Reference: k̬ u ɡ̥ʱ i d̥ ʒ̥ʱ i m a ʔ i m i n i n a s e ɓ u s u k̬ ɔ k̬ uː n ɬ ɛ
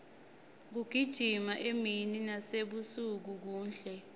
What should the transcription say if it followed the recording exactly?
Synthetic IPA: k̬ u ɡ̥ʱ i d̥ ʒ̥ʱ i m a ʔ e m i n i n a s e ɓ u s u k̬ u k̬ uː n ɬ ɛ